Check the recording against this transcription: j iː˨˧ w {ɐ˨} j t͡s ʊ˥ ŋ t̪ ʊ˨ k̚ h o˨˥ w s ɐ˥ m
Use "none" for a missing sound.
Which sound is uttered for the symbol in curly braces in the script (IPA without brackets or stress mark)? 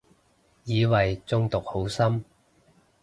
ɐ˨